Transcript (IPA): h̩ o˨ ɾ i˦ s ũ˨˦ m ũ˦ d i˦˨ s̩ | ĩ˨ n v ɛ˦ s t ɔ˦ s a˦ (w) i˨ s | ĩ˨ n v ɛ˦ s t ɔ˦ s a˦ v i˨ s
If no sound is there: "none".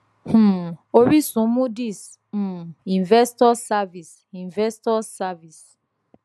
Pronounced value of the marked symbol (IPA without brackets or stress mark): v